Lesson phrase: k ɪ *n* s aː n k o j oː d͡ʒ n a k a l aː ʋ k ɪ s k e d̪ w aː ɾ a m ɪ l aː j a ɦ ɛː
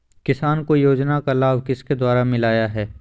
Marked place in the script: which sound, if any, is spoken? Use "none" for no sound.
none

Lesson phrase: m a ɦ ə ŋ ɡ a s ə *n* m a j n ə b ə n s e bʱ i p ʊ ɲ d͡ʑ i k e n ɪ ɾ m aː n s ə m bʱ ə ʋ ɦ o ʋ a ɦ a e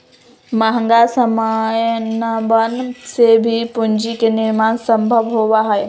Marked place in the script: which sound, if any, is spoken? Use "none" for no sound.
none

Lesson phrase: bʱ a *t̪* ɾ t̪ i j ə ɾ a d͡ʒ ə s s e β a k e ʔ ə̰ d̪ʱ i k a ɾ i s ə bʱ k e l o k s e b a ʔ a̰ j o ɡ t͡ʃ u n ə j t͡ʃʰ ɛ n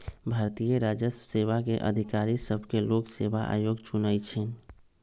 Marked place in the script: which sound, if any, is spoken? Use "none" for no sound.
none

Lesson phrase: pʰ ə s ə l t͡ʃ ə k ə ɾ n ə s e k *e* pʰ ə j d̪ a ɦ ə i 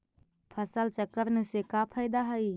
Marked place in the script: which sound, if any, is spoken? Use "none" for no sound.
a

